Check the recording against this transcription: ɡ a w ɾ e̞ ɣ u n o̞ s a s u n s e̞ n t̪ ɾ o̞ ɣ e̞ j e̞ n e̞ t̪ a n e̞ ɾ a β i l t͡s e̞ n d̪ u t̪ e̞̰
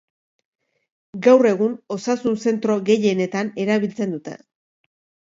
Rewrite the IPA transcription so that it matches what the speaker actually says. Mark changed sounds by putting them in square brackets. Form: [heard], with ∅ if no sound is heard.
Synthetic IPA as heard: ɡ a w [r] e̞ ɣ u n o̞ s a s u n s e̞ n t̪ ɾ o̞ ɣ e̞ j e̞ n e̞ t̪ a n e̞ ɾ a β i l t͡s e̞ n d̪ u t̪ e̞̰